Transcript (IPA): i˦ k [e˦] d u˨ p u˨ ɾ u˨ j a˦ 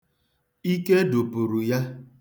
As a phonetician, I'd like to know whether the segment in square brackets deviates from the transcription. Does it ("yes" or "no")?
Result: no